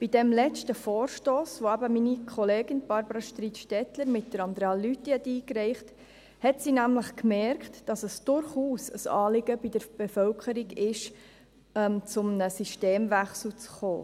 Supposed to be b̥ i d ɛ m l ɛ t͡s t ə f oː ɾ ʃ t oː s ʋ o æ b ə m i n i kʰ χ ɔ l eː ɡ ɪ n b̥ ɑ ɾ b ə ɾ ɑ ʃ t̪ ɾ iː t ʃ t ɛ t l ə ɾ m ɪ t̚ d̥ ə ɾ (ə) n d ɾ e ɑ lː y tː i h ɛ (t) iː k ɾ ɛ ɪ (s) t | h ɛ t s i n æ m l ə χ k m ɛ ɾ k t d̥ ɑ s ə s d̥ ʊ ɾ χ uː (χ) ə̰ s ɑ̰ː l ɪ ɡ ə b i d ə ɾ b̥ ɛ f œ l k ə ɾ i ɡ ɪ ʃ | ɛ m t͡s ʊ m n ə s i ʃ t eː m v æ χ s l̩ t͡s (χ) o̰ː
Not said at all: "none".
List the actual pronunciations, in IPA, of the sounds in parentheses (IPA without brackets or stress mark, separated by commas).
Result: ɑ, t, χ, s, χ